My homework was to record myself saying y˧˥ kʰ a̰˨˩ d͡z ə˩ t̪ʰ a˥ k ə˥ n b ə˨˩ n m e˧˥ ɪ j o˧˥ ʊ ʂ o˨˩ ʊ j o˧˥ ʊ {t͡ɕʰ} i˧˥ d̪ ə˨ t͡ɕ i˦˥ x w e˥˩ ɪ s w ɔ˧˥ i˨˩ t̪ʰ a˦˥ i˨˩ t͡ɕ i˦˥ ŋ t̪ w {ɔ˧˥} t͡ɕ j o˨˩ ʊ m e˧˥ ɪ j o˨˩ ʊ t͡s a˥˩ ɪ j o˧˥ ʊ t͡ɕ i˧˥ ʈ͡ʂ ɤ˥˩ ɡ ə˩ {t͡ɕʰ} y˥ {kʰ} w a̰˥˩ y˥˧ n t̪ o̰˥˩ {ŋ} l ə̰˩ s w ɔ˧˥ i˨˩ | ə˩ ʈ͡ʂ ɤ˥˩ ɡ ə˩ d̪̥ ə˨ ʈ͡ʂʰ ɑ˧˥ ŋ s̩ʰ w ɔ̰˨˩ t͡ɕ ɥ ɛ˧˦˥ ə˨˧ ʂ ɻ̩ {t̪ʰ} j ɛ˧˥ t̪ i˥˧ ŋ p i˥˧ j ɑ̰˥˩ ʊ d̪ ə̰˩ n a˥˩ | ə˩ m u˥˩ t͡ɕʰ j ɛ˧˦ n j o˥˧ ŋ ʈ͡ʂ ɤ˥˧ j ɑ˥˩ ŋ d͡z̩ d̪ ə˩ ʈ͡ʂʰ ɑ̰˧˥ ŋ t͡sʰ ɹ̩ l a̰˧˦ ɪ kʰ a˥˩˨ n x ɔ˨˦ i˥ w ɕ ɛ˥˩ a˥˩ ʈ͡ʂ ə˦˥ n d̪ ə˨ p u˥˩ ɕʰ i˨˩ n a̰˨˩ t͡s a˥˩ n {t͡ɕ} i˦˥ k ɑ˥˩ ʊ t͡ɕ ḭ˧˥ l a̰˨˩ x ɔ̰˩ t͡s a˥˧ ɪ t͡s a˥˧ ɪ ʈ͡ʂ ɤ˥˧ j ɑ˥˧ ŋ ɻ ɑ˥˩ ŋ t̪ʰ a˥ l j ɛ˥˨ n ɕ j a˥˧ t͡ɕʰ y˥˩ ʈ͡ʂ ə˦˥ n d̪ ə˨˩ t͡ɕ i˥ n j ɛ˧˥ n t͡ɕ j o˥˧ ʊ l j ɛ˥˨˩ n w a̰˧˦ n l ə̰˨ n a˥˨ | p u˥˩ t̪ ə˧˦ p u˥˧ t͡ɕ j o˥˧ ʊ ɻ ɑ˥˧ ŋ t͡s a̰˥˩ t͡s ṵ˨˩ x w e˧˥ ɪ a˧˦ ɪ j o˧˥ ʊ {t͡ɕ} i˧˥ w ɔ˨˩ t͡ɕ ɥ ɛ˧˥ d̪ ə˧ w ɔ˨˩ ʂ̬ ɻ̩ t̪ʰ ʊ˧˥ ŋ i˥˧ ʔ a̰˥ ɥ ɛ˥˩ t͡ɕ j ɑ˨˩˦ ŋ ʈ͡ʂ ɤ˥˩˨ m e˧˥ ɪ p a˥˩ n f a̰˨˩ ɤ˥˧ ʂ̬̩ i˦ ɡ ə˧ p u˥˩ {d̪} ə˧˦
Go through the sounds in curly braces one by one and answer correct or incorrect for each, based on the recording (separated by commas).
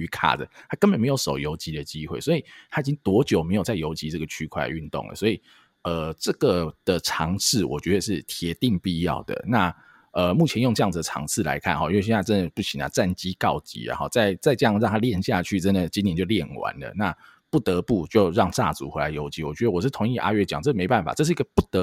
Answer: incorrect, correct, correct, correct, correct, correct, correct, correct, incorrect